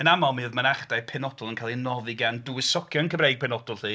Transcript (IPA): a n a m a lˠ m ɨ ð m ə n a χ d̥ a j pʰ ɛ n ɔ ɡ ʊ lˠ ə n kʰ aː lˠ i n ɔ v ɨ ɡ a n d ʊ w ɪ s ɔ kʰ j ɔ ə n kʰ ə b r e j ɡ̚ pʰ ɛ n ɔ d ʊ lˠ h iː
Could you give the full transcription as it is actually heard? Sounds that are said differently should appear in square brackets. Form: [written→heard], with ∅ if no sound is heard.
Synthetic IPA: [a→ə] n a m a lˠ m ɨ ð m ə n a χ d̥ a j pʰ ɛ n ɔ [ɡ→d] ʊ lˠ ə n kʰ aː lˠ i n ɔ v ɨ ɡ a n d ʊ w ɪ s ɔ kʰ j ɔ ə n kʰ ə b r e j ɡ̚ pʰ ɛ n ɔ d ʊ lˠ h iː

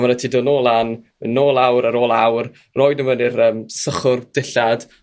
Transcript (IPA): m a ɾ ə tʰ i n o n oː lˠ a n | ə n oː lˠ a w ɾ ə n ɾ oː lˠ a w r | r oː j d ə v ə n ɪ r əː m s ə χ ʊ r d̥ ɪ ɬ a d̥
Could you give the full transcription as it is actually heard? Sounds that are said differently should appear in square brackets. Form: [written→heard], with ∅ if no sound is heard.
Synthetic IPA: m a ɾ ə tʰ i [n→d] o n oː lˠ a n | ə n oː lˠ a w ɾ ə [n→∅] ɾ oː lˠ a w r | r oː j d ə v ə n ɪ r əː m s ə χ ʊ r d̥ ɪ ɬ a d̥

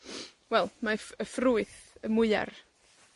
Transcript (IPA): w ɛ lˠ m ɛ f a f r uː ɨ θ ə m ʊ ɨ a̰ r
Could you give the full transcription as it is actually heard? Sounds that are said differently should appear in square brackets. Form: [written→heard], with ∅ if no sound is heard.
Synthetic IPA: w ɛ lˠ m [ɛ→a] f [a→ə] f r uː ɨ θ ə m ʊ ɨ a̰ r

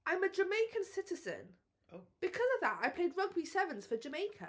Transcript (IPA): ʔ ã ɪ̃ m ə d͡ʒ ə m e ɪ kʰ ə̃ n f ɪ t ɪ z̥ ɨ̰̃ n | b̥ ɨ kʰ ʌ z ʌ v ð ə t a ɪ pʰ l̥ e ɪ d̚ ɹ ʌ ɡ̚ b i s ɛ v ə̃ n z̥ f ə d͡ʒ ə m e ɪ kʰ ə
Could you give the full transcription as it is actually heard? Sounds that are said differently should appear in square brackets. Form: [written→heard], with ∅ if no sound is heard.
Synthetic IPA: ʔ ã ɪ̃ m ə d͡ʒ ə m e ɪ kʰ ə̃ n [f→s] ɪ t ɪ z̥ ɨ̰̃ n | b̥ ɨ kʰ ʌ z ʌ v ð ə t a ɪ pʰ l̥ e ɪ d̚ ɹ ʌ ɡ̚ b i s ɛ v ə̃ n z̥ f ə d͡ʒ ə m e ɪ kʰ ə

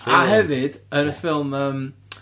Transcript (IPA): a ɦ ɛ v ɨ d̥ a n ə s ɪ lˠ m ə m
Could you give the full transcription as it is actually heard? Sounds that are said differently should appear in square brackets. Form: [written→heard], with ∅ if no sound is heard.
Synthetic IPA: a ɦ ɛ v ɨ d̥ [a→ə] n ə [s→f] ɪ lˠ m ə m

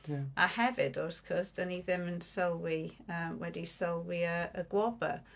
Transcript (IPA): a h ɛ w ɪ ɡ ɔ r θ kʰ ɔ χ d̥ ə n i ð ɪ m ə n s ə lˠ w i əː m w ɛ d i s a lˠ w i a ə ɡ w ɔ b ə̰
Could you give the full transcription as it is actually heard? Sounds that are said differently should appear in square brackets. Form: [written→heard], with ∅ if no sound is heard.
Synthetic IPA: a h ɛ [w→v] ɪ [ɡ→d] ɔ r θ kʰ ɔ [χ→s] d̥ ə n i ð ɪ m ə n s ə lˠ w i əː m w ɛ d i s [a→ə] lˠ w i [a→ə] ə ɡ w ɔ b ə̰

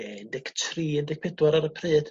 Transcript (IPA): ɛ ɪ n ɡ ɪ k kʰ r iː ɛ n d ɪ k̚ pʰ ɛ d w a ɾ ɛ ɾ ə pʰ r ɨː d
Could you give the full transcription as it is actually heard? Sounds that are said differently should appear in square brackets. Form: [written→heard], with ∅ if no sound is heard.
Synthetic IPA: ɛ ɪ n [ɡ→d] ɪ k [kʰ→tʰ] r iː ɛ n d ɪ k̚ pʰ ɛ d w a ɾ [ɛ→a] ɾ ə pʰ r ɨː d

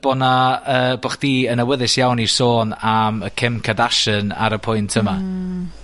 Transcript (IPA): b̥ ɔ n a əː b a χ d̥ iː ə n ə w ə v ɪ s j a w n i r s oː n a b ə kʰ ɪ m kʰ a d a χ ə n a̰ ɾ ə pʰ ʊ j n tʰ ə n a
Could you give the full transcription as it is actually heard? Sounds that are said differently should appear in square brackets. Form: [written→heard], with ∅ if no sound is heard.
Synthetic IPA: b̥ ɔ n a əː b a χ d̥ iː ə n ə w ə [v→ð] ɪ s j a w n i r s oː n a [b→m] ə kʰ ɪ m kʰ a d a [χ→ʃ] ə n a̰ ɾ ə pʰ ʊ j n tʰ ə [n→m] a

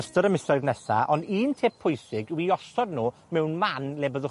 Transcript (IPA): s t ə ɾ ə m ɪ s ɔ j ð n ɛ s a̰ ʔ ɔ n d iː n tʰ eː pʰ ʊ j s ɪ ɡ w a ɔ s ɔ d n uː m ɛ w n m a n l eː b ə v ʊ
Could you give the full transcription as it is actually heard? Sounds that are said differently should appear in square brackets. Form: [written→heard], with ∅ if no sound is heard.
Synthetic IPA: s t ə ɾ ə m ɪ s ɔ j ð n ɛ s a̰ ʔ ɔ n d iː n tʰ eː pʰ ʊ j s ɪ ɡ w [a→i] ɔ s ɔ d n uː m ɛ w n m a n l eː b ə [v→ð] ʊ

